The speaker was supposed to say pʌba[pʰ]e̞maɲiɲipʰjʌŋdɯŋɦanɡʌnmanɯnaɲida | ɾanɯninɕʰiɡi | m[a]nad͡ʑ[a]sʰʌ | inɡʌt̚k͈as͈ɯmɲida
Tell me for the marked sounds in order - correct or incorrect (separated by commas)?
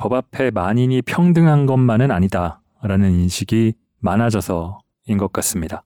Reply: correct, correct, incorrect